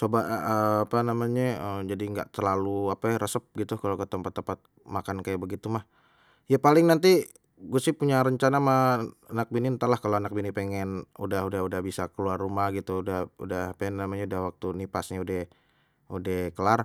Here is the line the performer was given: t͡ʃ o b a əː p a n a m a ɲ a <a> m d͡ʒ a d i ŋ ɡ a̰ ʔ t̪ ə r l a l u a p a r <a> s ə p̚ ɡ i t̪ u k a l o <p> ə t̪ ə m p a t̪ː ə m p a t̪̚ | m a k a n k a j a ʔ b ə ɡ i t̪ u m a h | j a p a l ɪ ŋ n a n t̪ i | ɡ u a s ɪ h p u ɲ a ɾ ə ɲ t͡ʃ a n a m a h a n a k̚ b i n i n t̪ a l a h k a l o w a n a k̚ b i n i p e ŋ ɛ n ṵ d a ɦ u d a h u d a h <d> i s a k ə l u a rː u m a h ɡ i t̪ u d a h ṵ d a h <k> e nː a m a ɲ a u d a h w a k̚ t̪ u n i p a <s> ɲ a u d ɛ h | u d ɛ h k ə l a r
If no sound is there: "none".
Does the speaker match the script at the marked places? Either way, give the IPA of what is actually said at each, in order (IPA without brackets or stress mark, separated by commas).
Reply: ə, ə, k, b, p, s